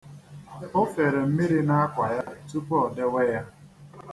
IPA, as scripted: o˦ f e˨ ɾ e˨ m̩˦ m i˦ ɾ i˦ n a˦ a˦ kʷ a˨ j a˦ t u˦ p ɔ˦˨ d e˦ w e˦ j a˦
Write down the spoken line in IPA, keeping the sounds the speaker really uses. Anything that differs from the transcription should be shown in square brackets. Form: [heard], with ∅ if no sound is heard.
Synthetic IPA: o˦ f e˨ ɾ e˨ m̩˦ m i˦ ɾ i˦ n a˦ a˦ kʷ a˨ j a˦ t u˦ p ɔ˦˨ d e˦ w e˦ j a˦

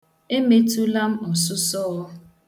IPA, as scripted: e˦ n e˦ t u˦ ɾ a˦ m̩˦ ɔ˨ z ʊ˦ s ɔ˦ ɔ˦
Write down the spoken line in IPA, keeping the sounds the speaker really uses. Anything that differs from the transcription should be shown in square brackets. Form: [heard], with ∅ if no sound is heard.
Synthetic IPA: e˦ [m] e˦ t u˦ [l] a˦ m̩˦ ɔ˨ [s] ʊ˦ s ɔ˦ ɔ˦

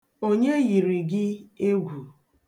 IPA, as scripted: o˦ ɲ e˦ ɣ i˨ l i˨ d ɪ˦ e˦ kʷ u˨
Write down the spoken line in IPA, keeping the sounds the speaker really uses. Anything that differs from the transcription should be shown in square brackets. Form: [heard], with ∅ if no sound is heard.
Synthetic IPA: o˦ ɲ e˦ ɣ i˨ [ɾ] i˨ [ɡ] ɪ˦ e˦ [ɡʷ] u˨

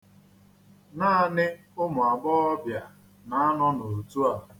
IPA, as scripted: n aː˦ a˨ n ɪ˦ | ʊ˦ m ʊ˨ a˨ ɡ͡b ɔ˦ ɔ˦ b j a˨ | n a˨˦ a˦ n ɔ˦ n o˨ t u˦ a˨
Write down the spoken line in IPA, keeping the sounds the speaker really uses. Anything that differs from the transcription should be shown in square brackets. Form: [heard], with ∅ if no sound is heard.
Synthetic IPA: n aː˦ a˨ n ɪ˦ | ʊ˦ m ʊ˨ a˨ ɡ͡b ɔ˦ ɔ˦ b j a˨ | n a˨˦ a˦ n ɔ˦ n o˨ t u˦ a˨

